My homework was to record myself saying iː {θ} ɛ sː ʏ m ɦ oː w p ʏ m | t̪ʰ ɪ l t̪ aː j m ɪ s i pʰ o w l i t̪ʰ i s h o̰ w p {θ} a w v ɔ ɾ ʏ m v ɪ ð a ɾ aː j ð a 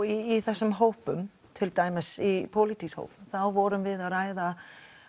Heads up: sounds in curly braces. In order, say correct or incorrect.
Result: correct, correct

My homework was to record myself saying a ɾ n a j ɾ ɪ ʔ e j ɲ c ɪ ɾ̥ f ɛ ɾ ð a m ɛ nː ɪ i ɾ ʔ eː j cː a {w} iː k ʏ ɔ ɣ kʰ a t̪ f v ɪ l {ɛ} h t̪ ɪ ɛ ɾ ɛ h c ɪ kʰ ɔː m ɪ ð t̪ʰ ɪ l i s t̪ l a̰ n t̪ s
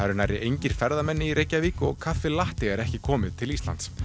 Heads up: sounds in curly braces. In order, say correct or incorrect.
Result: incorrect, incorrect

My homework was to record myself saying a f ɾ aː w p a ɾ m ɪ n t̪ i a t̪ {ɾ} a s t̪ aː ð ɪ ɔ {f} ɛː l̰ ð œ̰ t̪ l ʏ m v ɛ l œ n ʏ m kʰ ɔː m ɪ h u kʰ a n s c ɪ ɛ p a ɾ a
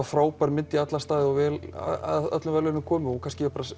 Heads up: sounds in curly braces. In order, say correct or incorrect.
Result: incorrect, incorrect

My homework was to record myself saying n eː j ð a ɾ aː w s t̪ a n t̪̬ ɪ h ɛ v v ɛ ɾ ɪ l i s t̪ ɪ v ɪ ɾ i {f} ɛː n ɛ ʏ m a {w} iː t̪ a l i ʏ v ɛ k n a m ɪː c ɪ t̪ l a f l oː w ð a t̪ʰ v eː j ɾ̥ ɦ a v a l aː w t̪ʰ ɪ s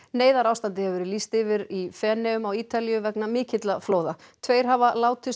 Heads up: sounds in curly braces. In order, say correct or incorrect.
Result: correct, correct

